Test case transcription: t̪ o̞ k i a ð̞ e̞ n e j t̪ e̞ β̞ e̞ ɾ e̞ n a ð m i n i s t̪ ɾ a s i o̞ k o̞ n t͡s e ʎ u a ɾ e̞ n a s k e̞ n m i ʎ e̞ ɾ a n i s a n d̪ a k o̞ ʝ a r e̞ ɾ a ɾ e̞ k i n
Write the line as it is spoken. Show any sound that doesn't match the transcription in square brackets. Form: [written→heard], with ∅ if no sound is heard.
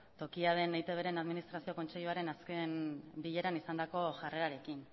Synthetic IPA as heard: t̪ o̞ k i a ð̞ e̞ n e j t̪ e̞ β̞ e̞ ɾ e̞ n a ð m i n i s t̪ ɾ a s i o̞ k o̞ n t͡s e ʎ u a ɾ e̞ n a s k e̞ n [m→b] i ʎ e̞ ɾ a n i s a n d̪ a k o̞ ʝ a r e̞ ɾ a ɾ e̞ k i n